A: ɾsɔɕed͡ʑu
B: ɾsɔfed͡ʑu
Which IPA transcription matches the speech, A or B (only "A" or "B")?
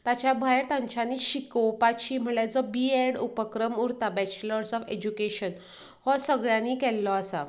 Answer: B